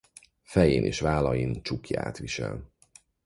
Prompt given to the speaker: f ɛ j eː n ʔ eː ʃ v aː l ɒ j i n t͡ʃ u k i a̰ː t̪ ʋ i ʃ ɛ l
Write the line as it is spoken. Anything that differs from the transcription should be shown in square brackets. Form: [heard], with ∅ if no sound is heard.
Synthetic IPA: f ɛ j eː n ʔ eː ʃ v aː l ɒ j i n t͡ʃ u k [j] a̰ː t̪ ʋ i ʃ ɛ l